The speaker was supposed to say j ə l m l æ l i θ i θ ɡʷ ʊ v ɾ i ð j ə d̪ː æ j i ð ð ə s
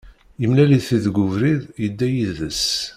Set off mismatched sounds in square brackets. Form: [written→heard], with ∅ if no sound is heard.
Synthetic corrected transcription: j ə [l→∅] m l æ l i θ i [θ→ð] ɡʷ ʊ v ɾ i ð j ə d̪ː æ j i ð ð ə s